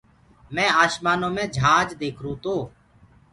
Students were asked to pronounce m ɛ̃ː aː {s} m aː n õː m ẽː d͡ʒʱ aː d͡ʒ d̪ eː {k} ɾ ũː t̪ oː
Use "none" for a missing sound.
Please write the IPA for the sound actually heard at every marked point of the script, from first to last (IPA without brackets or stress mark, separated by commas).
ʃ, kʰ